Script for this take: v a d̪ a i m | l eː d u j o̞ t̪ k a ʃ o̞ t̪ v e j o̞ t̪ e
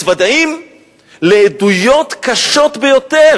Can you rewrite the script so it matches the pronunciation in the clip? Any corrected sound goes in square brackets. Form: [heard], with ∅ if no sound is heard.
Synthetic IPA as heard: v a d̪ a i m | l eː d u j o̞ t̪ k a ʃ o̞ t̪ [b] e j o̞ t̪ e